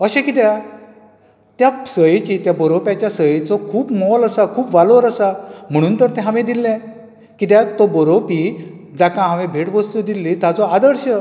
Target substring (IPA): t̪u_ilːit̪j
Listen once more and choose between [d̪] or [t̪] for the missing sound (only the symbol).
d̪